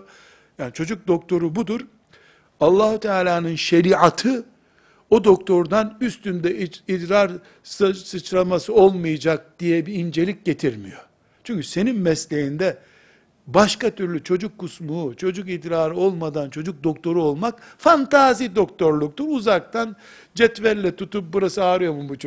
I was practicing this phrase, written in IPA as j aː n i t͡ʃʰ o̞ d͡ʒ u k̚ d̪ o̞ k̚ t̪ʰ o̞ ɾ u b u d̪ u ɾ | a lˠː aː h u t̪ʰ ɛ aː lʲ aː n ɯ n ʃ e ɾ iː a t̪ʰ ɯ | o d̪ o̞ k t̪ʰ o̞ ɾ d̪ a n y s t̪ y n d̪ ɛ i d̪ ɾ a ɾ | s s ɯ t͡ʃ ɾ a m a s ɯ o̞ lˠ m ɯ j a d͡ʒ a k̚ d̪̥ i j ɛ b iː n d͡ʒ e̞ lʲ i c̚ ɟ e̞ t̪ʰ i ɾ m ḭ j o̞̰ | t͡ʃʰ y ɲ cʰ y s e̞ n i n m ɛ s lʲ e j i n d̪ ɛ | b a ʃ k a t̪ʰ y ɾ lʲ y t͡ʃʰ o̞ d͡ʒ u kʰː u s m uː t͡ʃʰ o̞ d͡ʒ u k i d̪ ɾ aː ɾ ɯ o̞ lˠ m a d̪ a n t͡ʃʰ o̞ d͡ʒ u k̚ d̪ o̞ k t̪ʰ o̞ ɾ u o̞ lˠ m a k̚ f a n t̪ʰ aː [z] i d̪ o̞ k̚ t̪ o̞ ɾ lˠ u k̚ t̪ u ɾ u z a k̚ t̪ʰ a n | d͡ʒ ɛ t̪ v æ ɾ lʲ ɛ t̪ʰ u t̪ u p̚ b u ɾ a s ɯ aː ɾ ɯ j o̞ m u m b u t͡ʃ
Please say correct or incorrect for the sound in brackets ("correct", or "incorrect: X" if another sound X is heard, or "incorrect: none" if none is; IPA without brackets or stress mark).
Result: correct